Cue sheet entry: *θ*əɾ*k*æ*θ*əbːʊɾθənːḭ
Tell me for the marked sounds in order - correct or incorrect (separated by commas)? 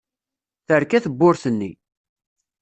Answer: correct, correct, correct